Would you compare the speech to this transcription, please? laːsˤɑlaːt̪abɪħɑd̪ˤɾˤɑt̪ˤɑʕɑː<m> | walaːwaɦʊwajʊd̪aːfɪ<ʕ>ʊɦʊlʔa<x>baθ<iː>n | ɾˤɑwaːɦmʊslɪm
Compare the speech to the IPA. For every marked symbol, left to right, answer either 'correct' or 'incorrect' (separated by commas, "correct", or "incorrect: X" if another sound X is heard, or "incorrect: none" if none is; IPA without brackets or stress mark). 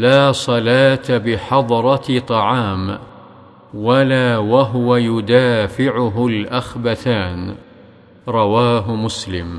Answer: correct, correct, correct, incorrect: aː